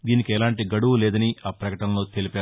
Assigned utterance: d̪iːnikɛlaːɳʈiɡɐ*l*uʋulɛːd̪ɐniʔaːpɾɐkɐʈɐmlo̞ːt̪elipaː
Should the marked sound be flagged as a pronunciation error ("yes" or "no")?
yes